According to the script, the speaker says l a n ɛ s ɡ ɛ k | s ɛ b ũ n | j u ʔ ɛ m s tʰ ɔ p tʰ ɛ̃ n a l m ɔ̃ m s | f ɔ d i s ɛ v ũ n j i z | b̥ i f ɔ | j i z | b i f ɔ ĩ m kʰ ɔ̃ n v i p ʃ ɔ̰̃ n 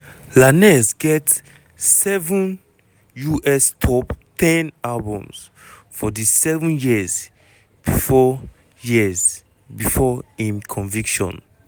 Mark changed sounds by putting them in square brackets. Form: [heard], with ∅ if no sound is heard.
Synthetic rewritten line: l a n ɛ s ɡ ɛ [t] | s ɛ [v] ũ n | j u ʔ ɛ [∅] s tʰ ɔ p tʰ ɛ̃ n a l [b] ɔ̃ m s | f ɔ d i s ɛ v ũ n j i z | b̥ i f ɔ | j i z | b i f ɔ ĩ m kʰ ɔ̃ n v i [k] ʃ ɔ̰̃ n